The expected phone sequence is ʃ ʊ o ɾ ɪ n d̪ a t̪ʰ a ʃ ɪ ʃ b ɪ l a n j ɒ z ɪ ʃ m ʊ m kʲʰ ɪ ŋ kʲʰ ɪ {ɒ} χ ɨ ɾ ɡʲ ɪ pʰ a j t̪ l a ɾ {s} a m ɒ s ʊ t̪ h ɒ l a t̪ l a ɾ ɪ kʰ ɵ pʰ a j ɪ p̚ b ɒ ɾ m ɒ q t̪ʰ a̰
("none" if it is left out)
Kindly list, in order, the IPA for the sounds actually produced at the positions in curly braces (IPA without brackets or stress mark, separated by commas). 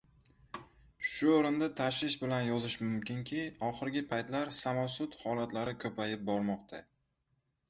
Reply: ɒ, s